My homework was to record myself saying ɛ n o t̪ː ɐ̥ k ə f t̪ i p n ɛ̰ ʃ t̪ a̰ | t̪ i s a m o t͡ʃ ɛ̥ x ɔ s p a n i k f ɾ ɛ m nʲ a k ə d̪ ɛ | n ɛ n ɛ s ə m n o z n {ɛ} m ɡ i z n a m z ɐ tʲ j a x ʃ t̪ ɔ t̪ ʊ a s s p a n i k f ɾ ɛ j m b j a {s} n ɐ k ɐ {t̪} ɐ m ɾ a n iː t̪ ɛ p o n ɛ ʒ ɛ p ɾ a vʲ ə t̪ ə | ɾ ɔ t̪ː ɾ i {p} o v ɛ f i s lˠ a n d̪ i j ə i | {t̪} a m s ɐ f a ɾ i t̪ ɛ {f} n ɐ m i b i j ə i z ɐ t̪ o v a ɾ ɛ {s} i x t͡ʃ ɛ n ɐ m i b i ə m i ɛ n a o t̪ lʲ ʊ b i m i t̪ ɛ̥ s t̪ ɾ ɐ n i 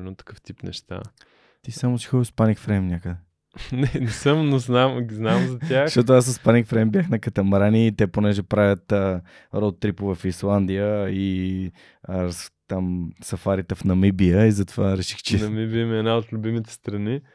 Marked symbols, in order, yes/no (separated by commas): no, no, yes, yes, yes, yes, no